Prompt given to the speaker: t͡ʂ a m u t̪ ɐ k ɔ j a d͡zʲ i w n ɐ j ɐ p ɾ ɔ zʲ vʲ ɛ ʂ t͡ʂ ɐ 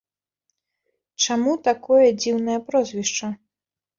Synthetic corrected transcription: t͡ʂ a m u t̪ a k ɔ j ɐ d͡zʲ i w n ɐ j ɐ p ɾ ɔ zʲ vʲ i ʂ t͡ʂ ɐ